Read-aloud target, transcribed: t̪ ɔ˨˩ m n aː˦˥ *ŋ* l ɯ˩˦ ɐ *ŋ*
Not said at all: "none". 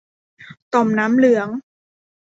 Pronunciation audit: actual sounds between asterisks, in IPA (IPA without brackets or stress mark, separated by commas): m, ŋ